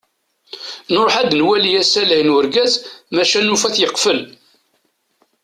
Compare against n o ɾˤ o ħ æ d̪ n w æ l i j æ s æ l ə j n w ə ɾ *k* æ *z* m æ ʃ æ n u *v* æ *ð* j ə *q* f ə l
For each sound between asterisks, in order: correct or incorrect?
incorrect: ɡ, correct, incorrect: f, incorrect: θ, correct

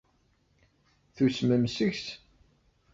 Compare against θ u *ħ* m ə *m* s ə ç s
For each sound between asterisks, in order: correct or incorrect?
incorrect: s, correct

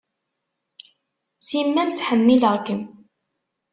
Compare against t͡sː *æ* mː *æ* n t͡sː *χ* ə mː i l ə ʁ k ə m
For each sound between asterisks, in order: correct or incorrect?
incorrect: i, correct, incorrect: ħ

